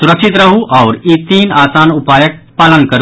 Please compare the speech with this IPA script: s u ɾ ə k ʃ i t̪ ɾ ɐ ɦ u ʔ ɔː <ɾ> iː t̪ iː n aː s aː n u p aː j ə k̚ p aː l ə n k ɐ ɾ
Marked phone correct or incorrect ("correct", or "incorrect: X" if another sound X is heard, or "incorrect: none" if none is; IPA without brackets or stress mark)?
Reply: correct